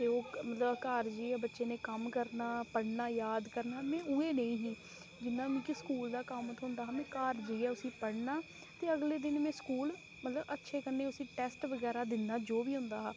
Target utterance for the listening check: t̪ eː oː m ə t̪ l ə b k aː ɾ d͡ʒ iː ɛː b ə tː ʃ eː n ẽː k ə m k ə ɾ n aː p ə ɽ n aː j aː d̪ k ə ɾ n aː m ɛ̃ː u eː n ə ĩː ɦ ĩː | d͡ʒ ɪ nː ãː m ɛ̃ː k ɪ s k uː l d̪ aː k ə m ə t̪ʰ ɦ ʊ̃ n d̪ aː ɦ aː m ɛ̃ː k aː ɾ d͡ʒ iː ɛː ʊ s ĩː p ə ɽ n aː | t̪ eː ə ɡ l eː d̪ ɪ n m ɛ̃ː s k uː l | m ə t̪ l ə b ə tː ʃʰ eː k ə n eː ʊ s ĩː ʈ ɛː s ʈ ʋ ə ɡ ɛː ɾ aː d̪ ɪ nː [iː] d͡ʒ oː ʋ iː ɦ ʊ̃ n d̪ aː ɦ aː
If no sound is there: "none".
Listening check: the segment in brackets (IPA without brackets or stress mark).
aː